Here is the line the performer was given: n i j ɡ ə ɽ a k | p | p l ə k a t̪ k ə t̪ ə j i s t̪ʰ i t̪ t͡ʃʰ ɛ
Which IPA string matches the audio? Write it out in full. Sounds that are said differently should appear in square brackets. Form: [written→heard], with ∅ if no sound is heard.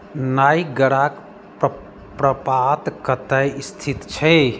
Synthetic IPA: n [i→a] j ɡ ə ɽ a k | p | p [l→ɾ] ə [k→p] a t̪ k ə t̪ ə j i s t̪ʰ i t̪ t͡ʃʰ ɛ